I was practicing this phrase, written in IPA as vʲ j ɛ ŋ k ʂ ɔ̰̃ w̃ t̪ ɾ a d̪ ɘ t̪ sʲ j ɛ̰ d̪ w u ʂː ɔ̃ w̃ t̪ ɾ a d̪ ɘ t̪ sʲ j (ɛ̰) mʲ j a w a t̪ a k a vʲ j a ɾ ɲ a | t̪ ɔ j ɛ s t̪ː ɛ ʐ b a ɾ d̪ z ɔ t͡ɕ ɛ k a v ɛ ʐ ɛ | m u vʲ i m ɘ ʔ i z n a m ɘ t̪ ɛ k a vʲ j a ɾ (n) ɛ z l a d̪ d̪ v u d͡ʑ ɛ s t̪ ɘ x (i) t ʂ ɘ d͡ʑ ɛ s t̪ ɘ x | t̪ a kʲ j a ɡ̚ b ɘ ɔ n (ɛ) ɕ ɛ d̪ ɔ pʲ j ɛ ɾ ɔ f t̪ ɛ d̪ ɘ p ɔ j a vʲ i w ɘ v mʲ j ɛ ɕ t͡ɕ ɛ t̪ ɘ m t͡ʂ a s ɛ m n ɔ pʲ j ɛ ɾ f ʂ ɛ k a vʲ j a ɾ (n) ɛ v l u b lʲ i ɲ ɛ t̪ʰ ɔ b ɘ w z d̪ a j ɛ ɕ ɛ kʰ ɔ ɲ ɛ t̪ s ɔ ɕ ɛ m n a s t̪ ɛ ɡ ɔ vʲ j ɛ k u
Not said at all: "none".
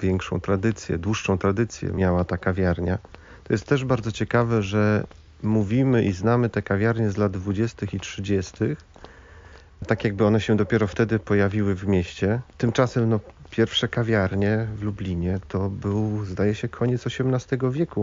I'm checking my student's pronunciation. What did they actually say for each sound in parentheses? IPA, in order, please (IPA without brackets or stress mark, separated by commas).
ɛ̰, ɲ, i, ɛ, ɲ